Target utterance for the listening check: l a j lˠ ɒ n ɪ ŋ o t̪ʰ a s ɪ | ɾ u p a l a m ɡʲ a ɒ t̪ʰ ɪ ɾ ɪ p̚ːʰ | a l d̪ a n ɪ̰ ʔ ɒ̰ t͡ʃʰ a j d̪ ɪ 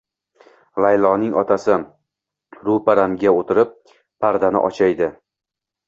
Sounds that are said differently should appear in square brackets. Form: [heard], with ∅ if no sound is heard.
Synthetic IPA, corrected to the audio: l a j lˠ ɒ n ɪ ŋ [ɒ] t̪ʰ a s ɪ | ɾ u p a [ɾ] a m ɡʲ a [o] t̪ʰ ɪ ɾ ɪ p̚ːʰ | a [ɾ] d̪ a n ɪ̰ ʔ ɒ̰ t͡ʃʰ a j d̪ ɪ